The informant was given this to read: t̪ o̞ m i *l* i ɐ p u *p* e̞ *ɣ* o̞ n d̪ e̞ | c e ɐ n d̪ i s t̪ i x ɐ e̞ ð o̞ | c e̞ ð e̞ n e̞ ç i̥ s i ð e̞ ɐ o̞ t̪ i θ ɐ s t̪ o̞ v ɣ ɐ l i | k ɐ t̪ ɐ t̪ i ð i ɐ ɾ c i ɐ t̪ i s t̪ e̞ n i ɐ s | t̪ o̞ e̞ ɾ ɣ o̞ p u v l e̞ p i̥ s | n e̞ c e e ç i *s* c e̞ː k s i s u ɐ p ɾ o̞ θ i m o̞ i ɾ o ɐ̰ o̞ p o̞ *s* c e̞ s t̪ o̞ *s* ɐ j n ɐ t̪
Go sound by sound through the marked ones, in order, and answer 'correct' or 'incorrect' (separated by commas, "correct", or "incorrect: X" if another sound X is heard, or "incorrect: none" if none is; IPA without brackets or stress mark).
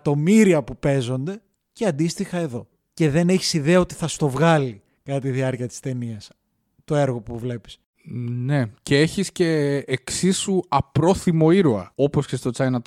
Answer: incorrect: ɾ, correct, incorrect: z, correct, correct, incorrect: t͡s